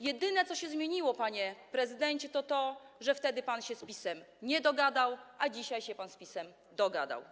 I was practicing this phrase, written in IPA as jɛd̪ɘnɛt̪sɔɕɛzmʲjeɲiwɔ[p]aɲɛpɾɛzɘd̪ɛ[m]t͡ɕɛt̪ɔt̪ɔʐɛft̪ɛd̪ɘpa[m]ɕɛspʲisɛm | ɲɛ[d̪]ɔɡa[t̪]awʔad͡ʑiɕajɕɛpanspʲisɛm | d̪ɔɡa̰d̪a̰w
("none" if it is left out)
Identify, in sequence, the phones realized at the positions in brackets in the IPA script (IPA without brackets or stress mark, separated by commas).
p, ɲ, n, d̪, d̪